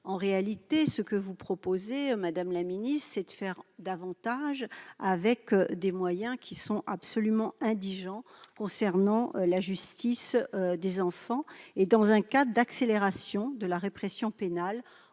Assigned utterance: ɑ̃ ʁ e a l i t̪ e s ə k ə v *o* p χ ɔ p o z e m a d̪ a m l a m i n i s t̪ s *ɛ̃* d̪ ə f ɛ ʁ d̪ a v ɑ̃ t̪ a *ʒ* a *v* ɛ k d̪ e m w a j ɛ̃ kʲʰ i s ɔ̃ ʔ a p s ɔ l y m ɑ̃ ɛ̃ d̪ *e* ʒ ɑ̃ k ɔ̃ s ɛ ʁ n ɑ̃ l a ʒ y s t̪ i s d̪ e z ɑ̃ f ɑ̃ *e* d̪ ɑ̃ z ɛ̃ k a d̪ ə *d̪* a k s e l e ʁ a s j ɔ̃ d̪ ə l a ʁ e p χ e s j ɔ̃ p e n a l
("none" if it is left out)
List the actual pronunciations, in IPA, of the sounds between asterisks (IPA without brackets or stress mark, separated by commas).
u, ɛ, ʒ, v, i, e, d̪